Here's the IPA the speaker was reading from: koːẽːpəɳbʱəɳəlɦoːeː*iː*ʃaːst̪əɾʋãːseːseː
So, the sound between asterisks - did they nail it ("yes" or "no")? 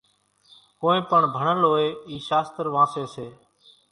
yes